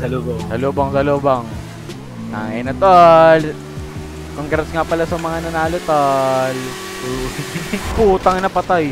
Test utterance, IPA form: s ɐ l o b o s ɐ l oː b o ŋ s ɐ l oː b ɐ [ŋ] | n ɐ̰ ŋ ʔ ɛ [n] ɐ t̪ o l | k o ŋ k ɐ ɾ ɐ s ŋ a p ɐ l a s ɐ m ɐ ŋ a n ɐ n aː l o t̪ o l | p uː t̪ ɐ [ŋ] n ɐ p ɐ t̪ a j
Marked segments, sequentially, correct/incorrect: correct, correct, correct

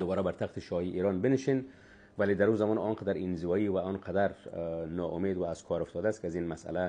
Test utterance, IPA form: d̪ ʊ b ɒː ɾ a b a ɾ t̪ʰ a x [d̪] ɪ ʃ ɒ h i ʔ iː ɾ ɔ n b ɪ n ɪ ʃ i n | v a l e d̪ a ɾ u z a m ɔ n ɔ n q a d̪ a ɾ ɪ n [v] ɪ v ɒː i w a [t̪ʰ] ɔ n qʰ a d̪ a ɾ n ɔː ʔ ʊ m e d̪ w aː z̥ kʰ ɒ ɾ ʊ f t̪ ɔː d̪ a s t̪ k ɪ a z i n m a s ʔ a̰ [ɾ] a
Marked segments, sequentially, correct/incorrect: incorrect: t̪, incorrect: z, incorrect: none, incorrect: l

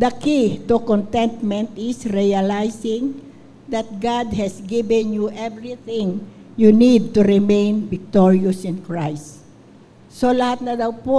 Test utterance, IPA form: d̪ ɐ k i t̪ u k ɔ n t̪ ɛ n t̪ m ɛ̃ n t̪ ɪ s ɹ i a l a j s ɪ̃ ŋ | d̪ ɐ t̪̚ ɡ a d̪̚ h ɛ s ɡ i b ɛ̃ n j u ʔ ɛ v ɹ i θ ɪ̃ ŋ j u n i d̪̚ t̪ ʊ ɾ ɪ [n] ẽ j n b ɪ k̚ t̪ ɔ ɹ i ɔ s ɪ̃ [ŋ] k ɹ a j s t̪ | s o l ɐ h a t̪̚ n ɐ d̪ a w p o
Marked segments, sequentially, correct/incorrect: incorrect: m, incorrect: n

